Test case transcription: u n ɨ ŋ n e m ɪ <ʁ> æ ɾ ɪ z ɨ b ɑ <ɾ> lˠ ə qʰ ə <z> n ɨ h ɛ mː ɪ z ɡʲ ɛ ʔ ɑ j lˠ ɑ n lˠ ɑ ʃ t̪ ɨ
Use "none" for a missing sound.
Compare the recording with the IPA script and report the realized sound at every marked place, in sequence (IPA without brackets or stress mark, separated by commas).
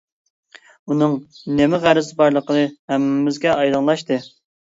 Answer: ʁ, ɾ, none